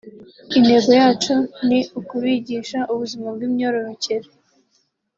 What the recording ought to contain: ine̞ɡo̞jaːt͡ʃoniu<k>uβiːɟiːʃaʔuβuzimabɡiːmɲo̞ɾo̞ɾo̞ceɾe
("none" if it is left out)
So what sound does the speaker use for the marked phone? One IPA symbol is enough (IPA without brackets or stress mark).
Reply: k